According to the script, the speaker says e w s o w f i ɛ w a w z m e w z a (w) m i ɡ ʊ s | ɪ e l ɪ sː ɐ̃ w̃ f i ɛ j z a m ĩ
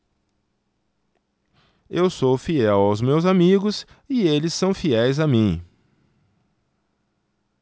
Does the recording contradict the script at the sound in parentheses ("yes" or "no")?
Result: yes